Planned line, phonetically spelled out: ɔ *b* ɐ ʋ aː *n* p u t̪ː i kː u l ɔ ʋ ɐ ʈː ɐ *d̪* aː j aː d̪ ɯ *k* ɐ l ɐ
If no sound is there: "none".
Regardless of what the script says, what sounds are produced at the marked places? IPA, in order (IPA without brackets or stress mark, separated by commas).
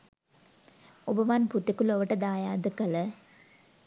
b, n, d̪, k